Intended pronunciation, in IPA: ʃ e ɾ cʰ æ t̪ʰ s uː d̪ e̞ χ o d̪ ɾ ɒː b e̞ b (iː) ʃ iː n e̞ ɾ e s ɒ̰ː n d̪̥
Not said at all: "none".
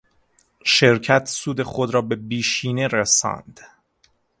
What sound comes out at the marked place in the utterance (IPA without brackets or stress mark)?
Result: iː